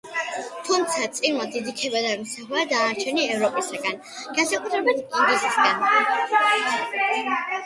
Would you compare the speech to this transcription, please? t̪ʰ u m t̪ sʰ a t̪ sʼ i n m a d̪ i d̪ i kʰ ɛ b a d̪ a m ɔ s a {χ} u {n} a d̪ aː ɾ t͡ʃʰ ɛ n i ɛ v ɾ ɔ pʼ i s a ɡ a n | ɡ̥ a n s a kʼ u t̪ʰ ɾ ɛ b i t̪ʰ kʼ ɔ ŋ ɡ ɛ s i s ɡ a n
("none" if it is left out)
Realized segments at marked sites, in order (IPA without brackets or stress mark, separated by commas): χ, none